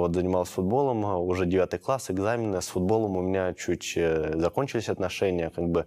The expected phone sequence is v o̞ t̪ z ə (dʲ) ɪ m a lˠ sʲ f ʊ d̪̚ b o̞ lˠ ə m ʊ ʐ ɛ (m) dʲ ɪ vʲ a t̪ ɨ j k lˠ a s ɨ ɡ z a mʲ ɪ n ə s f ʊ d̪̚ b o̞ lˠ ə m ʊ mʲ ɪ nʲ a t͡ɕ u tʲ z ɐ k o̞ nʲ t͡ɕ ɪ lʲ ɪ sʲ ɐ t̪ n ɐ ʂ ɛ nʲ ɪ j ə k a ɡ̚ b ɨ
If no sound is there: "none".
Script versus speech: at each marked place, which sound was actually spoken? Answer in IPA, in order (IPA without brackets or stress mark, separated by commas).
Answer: nʲ, none